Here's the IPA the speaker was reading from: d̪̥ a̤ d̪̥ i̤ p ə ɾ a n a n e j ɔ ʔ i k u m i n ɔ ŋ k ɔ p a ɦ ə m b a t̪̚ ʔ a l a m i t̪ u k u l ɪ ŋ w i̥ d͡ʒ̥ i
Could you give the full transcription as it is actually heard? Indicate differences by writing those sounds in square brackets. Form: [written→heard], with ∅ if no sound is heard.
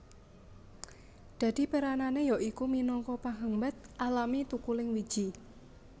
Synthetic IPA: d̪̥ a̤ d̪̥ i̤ p ə ɾ a n a n e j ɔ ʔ i k u m i n ɔ ŋ k ɔ p a ɦ ə m b a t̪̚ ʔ a l a m i t̪ u k u l ɪ ŋ w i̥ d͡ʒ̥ i